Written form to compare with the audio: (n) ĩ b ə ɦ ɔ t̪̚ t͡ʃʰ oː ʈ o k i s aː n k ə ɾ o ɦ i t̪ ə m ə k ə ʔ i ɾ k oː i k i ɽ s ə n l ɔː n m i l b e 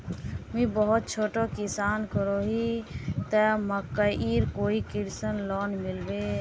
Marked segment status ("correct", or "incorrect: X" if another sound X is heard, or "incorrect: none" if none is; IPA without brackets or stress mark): incorrect: m